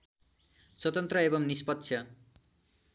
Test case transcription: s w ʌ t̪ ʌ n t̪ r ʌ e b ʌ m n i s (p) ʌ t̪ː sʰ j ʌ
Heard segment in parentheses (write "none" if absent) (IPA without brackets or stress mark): p